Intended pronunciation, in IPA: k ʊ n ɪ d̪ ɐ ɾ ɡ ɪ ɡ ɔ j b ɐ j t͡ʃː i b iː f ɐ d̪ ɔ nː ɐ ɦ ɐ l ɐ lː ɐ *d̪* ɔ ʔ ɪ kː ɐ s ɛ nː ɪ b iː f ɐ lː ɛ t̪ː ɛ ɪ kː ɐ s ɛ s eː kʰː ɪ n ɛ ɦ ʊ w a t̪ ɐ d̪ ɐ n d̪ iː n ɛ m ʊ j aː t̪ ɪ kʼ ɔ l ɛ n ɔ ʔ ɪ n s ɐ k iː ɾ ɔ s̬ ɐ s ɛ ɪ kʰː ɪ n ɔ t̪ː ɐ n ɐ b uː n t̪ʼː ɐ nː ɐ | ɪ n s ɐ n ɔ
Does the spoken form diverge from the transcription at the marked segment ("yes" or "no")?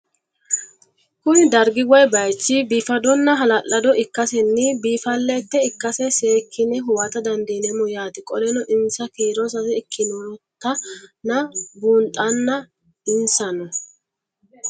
no